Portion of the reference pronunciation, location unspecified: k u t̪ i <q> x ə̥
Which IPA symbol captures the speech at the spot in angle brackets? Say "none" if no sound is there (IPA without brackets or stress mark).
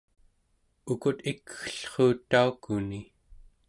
k